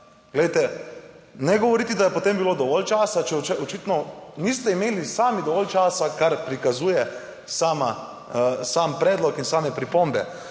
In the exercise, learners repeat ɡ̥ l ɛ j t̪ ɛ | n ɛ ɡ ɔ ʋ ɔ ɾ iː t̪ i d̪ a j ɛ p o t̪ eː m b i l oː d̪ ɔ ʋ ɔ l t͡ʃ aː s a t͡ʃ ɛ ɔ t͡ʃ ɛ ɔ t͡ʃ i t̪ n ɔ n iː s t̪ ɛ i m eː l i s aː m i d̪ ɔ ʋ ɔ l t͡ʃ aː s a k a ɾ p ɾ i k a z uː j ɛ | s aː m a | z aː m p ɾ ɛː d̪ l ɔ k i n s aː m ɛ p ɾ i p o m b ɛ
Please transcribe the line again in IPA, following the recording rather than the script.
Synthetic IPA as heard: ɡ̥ l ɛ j t̪ ɛ | n ɛ ɡ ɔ ʋ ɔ ɾ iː t̪ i d̪ a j ɛ p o t̪ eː m b i l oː d̪ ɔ ʋ ɔ l t͡ʃ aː s a t͡ʃ ɛ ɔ t͡ʃ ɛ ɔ t͡ʃ i t̪ n ɔ n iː s t̪ ɛ i m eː l i s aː m i d̪ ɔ ʋ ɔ l t͡ʃ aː s a k a ɾ p ɾ i k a z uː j ɛ | s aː m a | s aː m p ɾ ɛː d̪ l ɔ k i n s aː m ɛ p ɾ i p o m b ɛ

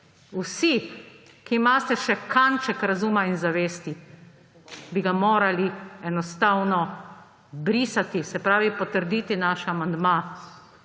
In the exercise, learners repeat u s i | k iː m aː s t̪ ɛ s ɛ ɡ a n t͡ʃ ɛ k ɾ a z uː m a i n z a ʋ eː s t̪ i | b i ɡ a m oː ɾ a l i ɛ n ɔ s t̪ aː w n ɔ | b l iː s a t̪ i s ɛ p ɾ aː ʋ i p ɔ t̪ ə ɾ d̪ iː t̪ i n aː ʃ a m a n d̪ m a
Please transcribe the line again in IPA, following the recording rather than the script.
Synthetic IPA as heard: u s i | k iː m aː s t̪ ɛ ʃ ɛ k a n t͡ʃ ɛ k ɾ a z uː m a i n z a ʋ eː s t̪ i | b i ɡ a m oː ɾ a l i ɛ n ɔ s t̪ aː w n ɔ | b ɾ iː s a t̪ i s ɛ p ɾ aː ʋ i p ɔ t̪ ə ɾ d̪ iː t̪ i n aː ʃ a m a n d̪ m a

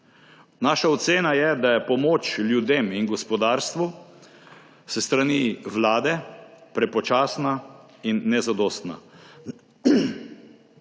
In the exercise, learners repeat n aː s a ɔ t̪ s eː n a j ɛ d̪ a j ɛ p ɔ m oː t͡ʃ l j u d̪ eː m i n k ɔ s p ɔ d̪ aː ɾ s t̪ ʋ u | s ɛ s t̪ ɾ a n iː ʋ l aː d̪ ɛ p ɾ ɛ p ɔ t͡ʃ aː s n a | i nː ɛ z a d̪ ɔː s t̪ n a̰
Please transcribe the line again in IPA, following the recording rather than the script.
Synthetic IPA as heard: n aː ʃ a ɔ t̪ s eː n a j ɛ d̪ a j ɛ p ɔ m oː t͡ʃ l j u d̪ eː m i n ɡ ɔ s p ɔ d̪ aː ɾ s t̪ ʋ u | s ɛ s t̪ ɾ a n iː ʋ l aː d̪ ɛ p ɾ ɛ p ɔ t͡ʃ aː s n a | i nː ɛ z a d̪ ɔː s t̪ n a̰

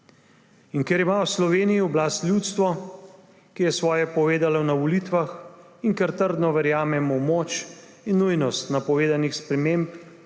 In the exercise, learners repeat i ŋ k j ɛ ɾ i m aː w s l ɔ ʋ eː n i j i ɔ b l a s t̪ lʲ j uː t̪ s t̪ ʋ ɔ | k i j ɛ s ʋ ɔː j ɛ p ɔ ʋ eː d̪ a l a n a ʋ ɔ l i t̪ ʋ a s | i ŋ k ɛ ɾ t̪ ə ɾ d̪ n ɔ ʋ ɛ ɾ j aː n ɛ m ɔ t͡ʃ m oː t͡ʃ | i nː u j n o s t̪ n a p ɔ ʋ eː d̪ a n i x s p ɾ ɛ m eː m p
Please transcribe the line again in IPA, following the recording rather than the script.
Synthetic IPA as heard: i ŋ k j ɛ ɾ i m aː w s l ɔ ʋ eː n i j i ɔ b l a s t̪ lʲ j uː t̪ s t̪ ʋ ɔ | k i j ɛ s ʋ ɔː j ɛ p ɔ ʋ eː d̪ a l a n a ʋ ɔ l i t̪ ʋ a x | i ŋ k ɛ ɾ t̪ ə ɾ d̪ n ɔ ʋ ɛ ɾ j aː m ɛ m ɔ m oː t͡ʃ | i nː u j n ɔ s t̪ n a p ɔ ʋ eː d̪ a n i x s p ɾ ɛ m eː m p

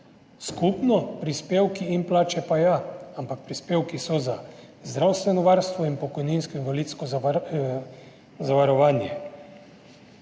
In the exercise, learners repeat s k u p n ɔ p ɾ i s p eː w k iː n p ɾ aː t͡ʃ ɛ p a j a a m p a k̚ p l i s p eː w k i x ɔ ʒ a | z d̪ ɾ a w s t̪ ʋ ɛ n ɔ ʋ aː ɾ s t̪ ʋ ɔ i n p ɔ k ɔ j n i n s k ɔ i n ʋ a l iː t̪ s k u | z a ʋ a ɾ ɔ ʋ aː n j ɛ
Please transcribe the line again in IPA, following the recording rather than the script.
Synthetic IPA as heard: s k u p n ɔ p ɾ i s p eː w k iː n p l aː t͡ʃ ɛ p a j a a m p a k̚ p ɾ i s p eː w k i s ɔ z a | z d̪ ɾ a w s t̪ ʋ ɛ n ɔ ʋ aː ɾ s t̪ ʋ ɔ i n p ɔ k ɔ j n i n s k ɔ i n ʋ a l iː t̪ s k ɔ | z a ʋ a ɾ ɔ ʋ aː n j ɛ

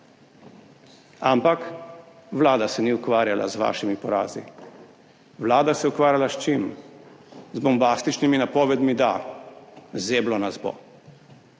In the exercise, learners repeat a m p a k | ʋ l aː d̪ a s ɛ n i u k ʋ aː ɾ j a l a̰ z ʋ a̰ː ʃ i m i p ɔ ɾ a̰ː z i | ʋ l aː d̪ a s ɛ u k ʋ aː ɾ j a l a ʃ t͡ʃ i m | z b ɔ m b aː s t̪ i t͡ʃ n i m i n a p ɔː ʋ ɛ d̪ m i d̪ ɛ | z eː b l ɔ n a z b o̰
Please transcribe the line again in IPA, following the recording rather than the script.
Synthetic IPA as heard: a m p a k | ʋ l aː d̪ a s ɛ n i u k ʋ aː ɾ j a l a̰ z ʋ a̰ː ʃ i m i p ɔ ɾ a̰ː z i | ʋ l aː d̪ a s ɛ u k ʋ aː ɾ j a l a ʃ t͡ʃ i m | z b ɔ m b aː s t̪ i t͡ʃ n i m i n a p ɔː ʋ ɛ d̪ m i d̪ a | z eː b l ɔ n a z b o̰

